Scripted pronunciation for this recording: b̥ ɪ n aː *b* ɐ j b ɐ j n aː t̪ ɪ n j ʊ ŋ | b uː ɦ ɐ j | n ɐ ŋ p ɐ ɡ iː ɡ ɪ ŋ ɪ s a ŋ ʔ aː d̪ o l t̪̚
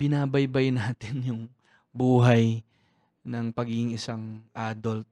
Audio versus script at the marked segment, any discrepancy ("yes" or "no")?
no